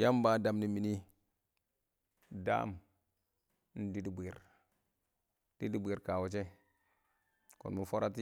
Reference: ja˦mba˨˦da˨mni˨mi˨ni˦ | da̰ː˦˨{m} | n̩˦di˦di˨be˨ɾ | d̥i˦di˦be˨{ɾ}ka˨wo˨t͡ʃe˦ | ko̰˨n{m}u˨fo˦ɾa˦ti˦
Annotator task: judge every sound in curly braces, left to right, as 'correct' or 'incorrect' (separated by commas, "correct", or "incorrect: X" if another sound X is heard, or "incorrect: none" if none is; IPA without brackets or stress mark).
correct, correct, correct